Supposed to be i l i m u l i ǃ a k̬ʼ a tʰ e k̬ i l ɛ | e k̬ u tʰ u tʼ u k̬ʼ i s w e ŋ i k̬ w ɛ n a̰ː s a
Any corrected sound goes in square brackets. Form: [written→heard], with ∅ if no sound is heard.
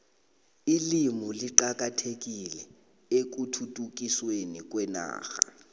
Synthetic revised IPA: i l i m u l i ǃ a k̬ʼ a tʰ e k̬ i l ɛ | e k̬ u tʰ u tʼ u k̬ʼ i s w e [ŋ→n] i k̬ w ɛ n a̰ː [s→x] a